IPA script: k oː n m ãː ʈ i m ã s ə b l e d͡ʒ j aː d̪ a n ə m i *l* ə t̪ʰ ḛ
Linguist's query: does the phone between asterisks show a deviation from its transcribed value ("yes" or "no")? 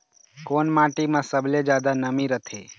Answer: yes